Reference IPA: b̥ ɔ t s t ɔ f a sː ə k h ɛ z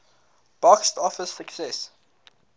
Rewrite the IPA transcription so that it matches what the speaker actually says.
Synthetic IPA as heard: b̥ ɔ k s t ɔ f ə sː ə k s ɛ s